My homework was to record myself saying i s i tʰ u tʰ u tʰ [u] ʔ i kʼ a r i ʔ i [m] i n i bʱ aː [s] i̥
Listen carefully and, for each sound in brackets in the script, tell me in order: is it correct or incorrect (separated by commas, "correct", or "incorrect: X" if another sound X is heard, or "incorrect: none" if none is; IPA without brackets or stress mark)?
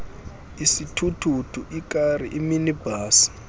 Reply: correct, correct, correct